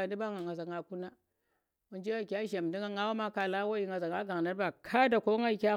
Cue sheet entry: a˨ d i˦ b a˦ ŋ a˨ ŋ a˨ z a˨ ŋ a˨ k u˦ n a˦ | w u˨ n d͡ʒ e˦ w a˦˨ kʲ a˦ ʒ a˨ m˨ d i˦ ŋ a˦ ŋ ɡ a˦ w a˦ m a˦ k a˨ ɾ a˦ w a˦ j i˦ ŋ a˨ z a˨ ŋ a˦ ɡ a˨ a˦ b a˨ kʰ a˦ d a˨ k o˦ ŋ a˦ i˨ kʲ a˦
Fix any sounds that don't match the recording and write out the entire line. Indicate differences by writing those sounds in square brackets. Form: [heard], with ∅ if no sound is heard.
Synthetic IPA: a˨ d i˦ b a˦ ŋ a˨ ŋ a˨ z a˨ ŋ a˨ k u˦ n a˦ | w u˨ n d͡ʒ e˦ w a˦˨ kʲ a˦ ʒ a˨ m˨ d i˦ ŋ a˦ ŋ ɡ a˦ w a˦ m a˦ k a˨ [l] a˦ w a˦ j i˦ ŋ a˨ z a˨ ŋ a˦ ɡ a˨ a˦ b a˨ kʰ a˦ d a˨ k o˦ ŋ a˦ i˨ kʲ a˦